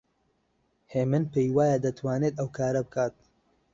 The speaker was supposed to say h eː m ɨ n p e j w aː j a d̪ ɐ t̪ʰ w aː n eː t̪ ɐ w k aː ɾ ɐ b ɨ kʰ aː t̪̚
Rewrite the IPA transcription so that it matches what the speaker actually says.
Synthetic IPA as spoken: h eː m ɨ n p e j w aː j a d̪ ɐ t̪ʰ w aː n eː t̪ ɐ w k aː ɾ ɐ b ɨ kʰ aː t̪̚